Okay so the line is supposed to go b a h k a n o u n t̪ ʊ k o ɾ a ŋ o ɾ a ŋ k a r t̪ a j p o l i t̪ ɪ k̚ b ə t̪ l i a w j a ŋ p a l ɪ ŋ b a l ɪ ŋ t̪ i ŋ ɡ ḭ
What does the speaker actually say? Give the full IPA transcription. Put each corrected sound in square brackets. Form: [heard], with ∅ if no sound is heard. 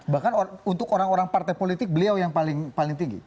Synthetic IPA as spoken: b a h k a n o u n t̪ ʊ k o ɾ a ŋ o ɾ a ŋ [p] a r t̪ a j p o l i t̪ ɪ k̚ b ə [∅] l i a w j a ŋ p a l ɪ ŋ [p] a l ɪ ŋ t̪ i ŋ ɡ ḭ

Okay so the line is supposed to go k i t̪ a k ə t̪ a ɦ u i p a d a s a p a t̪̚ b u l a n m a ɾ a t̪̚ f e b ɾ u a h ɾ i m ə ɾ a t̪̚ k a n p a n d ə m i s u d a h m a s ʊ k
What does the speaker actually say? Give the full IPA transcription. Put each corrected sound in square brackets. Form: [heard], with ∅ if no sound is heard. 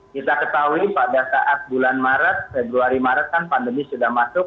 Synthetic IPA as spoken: k i t̪ a k ə t̪ a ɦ u i p a d a s a [ʔ] a t̪̚ b u l a n m a ɾ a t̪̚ f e b ɾ u a [∅] ɾ i m [a] ɾ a t̪̚ k a n p a n d ə m i s u d a h m a s ʊ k

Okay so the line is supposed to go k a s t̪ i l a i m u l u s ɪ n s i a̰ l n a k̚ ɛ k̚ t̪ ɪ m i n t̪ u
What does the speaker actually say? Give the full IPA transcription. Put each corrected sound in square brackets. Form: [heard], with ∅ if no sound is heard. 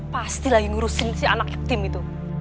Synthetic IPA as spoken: [p] a s t̪ i l a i [ŋ] u [ɾ] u s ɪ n s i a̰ [∅] n a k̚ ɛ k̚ t̪ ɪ m i [∅] t̪ u

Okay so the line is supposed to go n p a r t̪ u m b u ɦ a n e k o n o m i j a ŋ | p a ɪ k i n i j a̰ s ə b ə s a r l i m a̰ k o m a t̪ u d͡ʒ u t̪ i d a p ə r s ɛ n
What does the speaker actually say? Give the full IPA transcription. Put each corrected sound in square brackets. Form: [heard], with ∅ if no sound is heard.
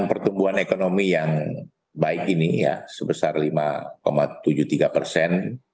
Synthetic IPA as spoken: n p [ə] r t̪ u m b u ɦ a n e k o n o m i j a ŋ | [b] a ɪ k i n i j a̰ s ə b ə s a r l i m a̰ k o m a t̪ u d͡ʒ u t̪ i [ɡ] a p ə r s ɛ n

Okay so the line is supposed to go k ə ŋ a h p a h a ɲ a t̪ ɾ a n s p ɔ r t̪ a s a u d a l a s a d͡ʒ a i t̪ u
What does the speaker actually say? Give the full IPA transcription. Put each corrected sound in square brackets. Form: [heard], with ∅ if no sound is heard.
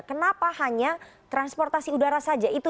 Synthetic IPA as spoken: k ə [n] a [∅] p a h a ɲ a t̪ ɾ a n s p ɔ r t̪ a s [i] u d a [ɾ] a s a d͡ʒ a i t̪ u

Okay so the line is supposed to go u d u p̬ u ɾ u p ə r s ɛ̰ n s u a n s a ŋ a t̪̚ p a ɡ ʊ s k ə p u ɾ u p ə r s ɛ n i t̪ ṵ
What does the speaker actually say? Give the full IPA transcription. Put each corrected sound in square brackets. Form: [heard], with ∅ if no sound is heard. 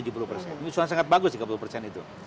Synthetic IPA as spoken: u [d͡ʒ] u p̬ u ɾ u p ə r s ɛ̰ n s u a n s a ŋ a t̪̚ [b] a ɡ ʊ s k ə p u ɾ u p ə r s ɛ n i t̪ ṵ

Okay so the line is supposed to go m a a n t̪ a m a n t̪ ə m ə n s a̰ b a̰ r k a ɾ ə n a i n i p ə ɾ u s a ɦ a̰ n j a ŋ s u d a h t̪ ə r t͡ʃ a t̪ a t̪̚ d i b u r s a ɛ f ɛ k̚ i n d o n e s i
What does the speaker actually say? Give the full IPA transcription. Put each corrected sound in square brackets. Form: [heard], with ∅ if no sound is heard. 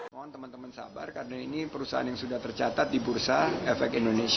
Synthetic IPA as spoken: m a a n t̪ [ə] m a n t̪ ə m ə n s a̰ b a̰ r k a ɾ ə n a i n i p ə ɾ u s a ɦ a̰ n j a ŋ s u d a h t̪ ə r t͡ʃ a t̪ a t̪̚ d i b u r s a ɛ f ɛ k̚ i n d o n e s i

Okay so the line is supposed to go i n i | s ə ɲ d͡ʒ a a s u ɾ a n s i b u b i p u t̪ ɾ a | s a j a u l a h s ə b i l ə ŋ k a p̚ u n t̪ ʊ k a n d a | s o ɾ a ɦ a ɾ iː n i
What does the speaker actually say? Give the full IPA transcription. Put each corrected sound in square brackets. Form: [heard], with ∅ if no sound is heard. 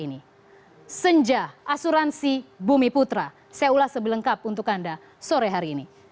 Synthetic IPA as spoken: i n i | s ə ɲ d͡ʒ a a s u ɾ a n s i b u [m] i p u t̪ ɾ a | s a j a u l a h s ə b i l ə ŋ k a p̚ u n t̪ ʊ k a n d a | s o ɾ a ɦ a ɾ iː n i

